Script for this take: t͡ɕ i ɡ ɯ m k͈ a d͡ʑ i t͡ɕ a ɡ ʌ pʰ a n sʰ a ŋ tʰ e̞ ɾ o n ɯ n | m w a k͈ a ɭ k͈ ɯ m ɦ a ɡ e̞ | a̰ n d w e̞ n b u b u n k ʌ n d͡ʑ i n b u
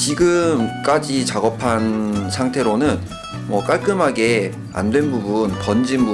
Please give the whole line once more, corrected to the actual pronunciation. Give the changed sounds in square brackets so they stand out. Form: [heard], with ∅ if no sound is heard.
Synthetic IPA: t͡ɕ i ɡ ɯ m k͈ a d͡ʑ i t͡ɕ a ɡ ʌ pʰ a n sʰ a ŋ tʰ e̞ ɾ o n ɯ n | m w [ʌ] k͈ a ɭ k͈ ɯ m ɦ a ɡ e̞ | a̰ n d w e̞ n b u b u n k ʌ n d͡ʑ i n b u